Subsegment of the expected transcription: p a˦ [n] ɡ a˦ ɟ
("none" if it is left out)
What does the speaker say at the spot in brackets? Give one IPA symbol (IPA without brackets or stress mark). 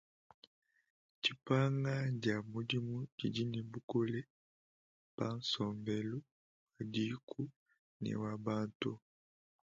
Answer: ŋ